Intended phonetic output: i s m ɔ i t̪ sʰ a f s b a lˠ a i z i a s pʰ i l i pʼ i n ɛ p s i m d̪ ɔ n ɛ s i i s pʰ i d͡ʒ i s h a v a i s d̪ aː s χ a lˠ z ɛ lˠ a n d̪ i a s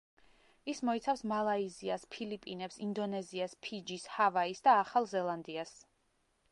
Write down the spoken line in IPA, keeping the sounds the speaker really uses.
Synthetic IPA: i s m ɔ i t̪ sʰ a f s m a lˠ a i z i a s pʰ i l i pʼ i n ɛ p s i n d̪ ɔ n ɛ z i a s pʰ i d͡ʒ i s h a v a i s d̪ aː χ a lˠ z ɛ lˠ a n d̪ i a s